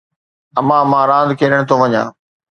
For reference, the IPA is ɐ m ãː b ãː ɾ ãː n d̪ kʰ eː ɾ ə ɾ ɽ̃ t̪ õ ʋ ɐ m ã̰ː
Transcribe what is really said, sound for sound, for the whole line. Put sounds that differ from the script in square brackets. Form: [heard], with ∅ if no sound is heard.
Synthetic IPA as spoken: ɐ m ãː [m] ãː ɾ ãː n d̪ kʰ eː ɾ ə [∅] ɽ̃ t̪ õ ʋ ɐ [ɲ] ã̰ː